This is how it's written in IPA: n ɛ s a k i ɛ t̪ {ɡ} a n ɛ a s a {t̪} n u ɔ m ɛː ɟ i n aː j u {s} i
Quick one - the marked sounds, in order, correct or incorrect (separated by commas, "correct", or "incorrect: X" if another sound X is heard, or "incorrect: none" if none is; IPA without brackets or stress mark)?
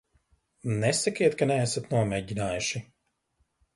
incorrect: k, correct, incorrect: ʃ